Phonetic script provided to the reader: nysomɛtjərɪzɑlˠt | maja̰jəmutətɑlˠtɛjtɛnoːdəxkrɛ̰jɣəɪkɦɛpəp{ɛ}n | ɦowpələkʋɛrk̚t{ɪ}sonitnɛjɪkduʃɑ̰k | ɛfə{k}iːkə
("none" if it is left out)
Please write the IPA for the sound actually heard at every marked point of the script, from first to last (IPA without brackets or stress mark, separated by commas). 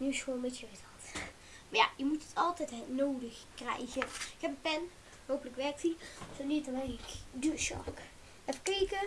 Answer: ɛ, i, k